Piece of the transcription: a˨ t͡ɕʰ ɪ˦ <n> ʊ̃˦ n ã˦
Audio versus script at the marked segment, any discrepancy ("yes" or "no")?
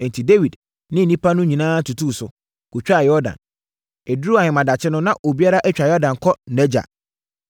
no